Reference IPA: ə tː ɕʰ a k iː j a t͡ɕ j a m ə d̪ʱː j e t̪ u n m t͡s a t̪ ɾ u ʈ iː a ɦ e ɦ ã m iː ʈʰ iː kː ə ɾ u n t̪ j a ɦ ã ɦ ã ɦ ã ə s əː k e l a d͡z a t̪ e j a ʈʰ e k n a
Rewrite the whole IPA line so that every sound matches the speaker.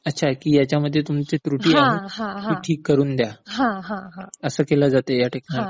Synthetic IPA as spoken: ə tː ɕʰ a k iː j a t͡ɕ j a m ə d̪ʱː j e t̪ u m t͡s e t̪ ɾ u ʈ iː a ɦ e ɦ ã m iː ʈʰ iː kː ə ɾ uː n d̪ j a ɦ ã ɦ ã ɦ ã ə s əː k e l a d͡z a t̪ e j a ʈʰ e k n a